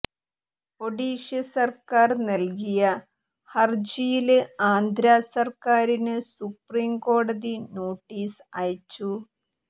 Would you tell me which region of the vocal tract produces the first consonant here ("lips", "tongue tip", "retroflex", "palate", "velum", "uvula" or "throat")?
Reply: lips